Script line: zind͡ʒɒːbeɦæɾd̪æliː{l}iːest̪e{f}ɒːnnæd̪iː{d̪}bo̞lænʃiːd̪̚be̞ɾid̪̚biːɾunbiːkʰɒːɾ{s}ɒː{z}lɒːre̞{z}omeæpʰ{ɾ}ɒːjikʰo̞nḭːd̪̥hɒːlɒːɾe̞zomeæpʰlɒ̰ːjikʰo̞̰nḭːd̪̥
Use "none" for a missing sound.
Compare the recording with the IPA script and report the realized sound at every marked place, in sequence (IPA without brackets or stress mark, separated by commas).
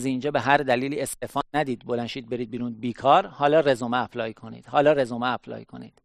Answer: l, f, d̪, h, none, z, l